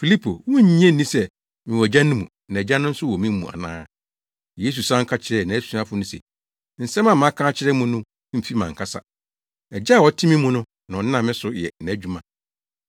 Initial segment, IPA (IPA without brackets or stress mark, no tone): f